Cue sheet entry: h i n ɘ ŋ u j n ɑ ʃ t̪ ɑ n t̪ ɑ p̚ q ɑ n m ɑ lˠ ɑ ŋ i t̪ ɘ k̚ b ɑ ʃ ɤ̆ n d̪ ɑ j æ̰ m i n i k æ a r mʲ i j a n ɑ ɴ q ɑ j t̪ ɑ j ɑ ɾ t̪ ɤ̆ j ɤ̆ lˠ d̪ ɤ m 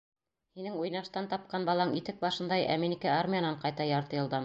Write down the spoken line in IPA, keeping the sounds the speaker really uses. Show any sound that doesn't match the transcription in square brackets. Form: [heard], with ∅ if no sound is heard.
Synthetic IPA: h i n ɘ ŋ u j n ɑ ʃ t̪ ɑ n t̪ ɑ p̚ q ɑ n [b] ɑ lˠ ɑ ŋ i t̪ ɘ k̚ b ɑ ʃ ɤ̆ n d̪ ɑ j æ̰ m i n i k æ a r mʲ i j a n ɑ ɴ q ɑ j t̪ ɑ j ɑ ɾ t̪ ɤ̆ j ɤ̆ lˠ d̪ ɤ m